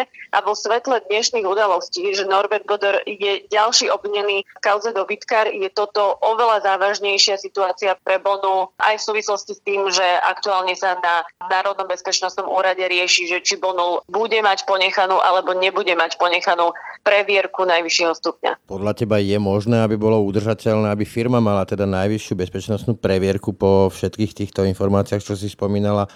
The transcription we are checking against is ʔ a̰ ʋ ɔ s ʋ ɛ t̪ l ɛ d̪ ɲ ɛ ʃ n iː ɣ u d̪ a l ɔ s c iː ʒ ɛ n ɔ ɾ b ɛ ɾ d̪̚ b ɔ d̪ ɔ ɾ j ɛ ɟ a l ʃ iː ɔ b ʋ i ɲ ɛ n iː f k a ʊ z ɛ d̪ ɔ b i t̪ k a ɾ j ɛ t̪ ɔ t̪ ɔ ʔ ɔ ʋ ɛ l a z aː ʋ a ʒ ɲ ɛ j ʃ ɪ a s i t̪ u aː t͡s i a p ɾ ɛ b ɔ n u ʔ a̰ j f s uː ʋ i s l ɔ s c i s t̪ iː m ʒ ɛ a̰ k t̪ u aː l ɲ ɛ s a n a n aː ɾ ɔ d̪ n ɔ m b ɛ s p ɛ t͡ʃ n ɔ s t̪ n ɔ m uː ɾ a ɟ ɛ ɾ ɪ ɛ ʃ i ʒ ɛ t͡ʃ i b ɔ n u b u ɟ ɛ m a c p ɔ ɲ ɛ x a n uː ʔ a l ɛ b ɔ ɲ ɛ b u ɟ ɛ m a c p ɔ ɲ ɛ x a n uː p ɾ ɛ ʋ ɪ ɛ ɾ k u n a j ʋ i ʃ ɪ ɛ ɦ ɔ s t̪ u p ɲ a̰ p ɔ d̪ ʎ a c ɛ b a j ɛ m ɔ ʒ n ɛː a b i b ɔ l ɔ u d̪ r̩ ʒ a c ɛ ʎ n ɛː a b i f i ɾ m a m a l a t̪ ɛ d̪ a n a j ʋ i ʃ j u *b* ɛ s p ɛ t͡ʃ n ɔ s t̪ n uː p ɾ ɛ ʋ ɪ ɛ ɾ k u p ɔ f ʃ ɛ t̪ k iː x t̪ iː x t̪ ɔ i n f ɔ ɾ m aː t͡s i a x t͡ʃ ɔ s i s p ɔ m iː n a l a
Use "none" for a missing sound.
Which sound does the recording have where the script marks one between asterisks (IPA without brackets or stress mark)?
b